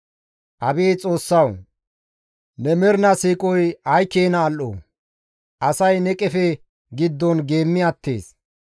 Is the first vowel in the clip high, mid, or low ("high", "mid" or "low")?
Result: low